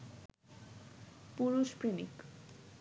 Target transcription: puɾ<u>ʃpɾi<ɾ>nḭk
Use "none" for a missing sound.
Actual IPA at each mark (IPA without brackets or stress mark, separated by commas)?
u, none